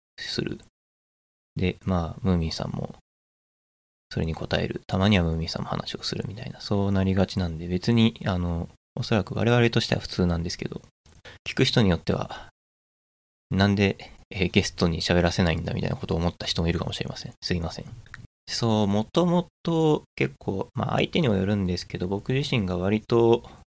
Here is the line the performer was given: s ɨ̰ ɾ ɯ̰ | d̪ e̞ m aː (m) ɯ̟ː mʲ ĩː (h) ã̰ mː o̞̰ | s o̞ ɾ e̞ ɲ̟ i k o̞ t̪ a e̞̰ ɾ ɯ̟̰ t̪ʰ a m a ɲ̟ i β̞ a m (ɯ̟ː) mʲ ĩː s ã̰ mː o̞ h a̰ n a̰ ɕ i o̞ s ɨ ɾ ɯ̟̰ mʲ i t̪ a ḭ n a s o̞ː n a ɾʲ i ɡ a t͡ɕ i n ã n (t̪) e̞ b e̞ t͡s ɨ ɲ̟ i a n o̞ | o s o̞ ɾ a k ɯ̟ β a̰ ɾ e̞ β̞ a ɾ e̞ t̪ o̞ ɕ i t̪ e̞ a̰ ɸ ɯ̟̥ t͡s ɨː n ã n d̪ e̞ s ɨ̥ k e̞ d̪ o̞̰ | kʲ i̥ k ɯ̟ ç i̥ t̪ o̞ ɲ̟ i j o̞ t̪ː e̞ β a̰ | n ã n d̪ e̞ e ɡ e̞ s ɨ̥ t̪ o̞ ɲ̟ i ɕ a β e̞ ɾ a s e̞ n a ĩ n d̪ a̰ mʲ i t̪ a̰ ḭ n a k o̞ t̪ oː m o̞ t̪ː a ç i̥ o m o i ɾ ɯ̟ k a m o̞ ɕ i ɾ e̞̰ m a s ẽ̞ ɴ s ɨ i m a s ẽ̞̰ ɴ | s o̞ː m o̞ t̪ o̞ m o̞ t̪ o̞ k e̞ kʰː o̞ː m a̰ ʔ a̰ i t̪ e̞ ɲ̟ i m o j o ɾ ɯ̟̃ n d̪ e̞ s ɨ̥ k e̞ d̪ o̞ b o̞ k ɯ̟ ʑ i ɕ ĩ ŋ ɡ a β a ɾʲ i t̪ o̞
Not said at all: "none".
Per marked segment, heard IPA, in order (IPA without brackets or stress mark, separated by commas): m, s, ɯ̟ː, d̪